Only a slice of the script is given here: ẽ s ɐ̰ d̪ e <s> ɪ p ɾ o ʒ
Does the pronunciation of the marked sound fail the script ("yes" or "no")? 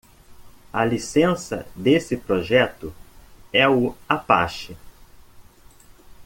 no